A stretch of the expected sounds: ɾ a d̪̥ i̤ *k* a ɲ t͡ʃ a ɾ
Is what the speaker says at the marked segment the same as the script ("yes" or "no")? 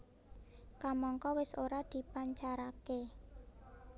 no